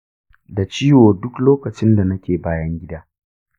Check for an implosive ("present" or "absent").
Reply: absent